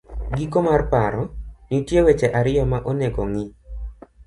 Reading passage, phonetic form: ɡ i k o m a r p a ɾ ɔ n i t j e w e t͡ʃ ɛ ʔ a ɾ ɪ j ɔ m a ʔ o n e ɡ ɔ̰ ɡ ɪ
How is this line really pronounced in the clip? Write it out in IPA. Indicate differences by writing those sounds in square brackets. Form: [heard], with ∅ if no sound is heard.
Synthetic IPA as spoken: ɡ i k o m a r p a ɾ ɔ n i t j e w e t͡ʃ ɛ ʔ a ɾ ɪ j ɔ m a ʔ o n e ɡ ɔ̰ [ŋ] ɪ